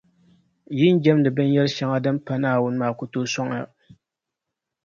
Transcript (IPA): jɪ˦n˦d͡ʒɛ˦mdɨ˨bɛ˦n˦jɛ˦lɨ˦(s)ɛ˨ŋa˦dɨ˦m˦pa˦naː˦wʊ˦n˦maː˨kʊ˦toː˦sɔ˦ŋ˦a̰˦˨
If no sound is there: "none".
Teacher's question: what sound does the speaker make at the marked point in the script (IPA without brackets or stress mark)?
ʃ